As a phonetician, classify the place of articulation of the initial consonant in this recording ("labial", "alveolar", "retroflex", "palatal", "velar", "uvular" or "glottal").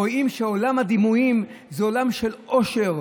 labial